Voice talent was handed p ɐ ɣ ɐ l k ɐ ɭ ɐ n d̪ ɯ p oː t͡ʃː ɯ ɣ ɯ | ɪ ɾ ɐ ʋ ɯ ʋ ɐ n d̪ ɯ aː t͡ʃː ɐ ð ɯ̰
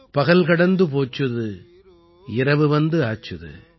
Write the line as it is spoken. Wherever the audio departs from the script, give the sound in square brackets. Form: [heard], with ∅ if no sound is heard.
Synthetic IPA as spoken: p ɐ ɣ ɐ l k ɐ [ɽ] ɐ n d̪ ɯ p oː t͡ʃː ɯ [ð] ɯ | ɪ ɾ ɐ ʋ ɯ ʋ ɐ n d̪ ɯ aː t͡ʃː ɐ ð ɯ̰